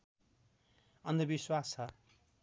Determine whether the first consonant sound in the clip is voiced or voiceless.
voiced